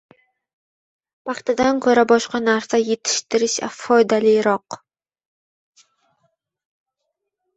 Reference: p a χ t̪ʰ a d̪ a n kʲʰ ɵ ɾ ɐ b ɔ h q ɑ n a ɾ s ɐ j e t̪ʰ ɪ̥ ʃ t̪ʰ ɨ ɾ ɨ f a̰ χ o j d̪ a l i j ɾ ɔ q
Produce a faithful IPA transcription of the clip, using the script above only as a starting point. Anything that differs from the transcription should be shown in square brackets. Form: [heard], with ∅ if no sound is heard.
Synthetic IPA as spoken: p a χ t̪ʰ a d̪ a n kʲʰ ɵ ɾ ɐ b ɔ [ʃ] q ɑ n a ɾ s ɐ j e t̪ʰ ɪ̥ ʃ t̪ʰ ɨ ɾ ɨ [ʃ] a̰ [f] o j d̪ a l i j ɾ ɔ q